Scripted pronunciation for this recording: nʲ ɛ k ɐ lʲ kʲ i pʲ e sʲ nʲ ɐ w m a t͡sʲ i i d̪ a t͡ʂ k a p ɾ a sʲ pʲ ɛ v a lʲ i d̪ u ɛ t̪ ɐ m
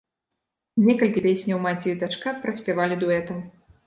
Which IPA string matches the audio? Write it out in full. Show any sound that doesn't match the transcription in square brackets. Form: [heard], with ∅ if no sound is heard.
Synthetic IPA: nʲ ɛ k ɐ lʲ kʲ i pʲ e sʲ nʲ ɐ w m a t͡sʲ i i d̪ a t͡ʂ k a p ɾ [ɐ] sʲ pʲ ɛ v a lʲ i d̪ u ɛ t̪ ɐ m